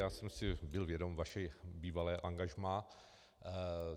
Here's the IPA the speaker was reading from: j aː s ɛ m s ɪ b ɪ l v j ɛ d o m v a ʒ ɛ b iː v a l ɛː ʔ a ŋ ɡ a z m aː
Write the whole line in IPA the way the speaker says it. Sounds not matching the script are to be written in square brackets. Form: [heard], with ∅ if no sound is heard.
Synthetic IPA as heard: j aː s ɛ m s ɪ b ɪ l v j ɛ d o m v a [ʃ] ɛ b iː v a l ɛː ʔ a ŋ ɡ a [ʒ] m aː